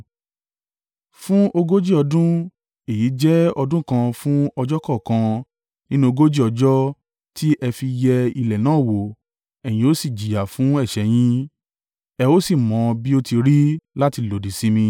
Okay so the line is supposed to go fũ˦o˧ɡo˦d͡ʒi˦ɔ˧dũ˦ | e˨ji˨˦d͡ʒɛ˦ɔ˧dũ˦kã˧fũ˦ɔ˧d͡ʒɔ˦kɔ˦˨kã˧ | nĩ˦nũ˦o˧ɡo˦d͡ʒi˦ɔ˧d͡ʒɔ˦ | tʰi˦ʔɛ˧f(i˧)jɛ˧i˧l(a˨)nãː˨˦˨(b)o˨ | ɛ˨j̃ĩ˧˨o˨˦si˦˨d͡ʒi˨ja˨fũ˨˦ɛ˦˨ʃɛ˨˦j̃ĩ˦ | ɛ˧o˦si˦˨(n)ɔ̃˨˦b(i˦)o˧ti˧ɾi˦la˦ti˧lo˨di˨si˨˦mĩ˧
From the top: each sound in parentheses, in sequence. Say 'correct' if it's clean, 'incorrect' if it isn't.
correct, incorrect: ɛ˨, incorrect: w, incorrect: m, correct

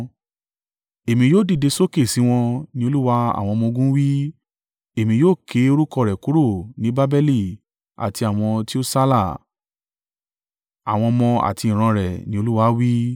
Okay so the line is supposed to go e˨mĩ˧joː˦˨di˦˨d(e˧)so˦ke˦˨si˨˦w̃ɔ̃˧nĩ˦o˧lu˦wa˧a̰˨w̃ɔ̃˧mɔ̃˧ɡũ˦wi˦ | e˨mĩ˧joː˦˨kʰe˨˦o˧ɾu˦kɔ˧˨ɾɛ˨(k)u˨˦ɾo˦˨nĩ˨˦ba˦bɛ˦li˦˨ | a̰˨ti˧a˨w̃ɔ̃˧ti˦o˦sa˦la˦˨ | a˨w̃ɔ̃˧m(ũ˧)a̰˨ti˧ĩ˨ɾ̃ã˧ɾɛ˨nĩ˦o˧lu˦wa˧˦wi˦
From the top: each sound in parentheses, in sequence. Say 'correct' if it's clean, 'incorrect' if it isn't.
correct, correct, incorrect: ɔ̃˧

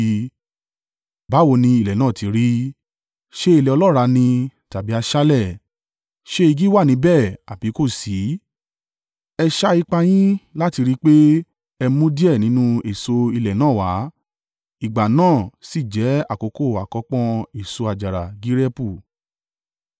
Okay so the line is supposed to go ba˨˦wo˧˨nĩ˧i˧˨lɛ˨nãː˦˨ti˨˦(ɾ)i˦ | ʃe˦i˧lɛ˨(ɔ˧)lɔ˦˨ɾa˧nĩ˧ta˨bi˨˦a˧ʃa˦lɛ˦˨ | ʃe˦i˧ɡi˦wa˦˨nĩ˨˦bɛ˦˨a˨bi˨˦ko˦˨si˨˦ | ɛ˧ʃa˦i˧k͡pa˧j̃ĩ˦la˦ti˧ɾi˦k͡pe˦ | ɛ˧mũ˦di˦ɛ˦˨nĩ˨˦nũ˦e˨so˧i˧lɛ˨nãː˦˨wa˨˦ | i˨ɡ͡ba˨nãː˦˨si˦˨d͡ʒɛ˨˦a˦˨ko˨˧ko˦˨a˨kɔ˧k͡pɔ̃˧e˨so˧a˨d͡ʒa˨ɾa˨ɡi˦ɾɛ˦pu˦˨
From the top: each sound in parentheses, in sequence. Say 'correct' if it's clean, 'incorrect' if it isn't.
correct, correct

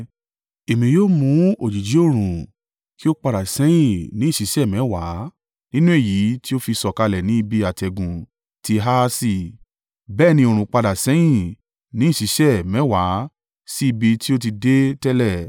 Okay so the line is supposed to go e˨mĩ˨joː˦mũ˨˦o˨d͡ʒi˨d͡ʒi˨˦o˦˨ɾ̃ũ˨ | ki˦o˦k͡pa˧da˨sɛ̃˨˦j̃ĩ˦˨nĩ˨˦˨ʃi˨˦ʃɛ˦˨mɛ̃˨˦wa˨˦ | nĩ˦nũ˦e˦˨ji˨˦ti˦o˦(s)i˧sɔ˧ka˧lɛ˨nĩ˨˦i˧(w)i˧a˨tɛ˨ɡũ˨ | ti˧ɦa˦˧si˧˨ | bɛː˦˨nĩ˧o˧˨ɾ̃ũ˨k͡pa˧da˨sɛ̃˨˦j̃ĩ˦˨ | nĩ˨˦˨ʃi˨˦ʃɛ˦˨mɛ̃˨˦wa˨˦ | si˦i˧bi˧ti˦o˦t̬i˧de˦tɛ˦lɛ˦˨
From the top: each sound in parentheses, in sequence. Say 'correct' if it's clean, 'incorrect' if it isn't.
incorrect: f, incorrect: b

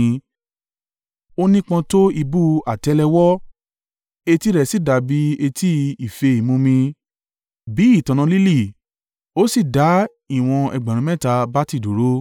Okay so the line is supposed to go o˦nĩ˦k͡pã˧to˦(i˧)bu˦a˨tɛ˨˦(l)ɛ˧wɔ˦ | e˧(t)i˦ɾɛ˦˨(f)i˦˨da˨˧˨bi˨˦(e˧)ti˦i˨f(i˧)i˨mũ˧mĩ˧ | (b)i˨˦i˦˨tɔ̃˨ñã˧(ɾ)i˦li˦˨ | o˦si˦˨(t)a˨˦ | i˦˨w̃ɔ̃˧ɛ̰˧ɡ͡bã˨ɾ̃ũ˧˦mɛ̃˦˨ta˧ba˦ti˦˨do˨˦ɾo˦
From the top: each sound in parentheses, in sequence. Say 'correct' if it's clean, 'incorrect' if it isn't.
correct, correct, correct, incorrect: s, correct, incorrect: e˧, correct, incorrect: l, incorrect: d

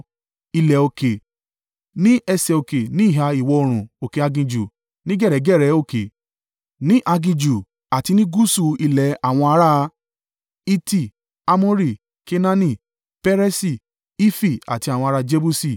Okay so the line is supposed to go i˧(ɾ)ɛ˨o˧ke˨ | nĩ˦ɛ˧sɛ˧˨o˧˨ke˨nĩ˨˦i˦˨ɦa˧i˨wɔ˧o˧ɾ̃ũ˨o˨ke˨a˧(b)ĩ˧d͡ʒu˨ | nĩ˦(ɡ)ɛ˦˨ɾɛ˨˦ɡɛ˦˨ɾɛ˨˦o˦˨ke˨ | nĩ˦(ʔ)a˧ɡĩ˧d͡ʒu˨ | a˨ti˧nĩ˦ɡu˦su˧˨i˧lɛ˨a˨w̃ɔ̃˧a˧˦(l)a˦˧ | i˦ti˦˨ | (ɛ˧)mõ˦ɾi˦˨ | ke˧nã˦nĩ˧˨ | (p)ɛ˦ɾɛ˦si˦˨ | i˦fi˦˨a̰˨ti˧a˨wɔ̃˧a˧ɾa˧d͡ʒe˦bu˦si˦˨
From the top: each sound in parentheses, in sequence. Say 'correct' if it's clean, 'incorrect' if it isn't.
incorrect: l, incorrect: ɡ, correct, correct, incorrect: ɾ, incorrect: a˧, correct

